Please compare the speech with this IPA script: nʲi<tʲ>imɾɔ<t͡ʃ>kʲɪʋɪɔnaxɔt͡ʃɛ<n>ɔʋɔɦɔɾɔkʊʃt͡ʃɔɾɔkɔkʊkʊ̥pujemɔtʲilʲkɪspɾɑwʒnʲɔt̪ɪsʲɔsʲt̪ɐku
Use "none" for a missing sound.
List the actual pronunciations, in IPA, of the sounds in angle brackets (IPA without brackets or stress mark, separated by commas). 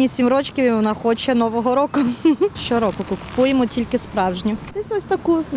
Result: sʲ, t͡ʃ, n